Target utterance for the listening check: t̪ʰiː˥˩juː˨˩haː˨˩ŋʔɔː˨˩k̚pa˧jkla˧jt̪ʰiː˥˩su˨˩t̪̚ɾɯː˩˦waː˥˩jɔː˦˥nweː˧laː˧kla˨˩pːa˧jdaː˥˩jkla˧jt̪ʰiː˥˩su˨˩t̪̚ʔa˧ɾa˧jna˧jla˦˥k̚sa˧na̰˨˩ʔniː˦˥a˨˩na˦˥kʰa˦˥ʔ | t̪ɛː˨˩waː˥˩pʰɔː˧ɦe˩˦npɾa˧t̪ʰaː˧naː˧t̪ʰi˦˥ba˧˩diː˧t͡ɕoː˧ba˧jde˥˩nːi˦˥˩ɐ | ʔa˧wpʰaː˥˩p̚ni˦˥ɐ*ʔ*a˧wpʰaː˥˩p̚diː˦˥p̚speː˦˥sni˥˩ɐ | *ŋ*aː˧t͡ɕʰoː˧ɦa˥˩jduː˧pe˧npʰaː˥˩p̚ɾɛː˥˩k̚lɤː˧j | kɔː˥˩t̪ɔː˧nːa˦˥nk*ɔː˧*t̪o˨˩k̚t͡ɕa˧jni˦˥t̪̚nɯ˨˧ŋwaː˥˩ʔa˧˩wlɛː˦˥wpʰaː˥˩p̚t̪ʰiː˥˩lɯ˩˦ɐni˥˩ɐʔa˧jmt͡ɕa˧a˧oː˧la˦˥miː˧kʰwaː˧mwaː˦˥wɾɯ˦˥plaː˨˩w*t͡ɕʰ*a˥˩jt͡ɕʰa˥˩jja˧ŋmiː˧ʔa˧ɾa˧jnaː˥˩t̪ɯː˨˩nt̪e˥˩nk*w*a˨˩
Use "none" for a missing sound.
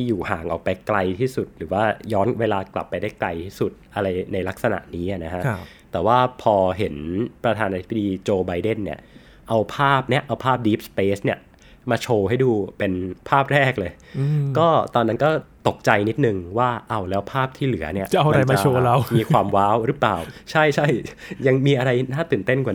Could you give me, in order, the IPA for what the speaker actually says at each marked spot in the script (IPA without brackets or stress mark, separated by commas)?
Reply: ʔ, m, ɔː˥˩, t͡ɕʰ, w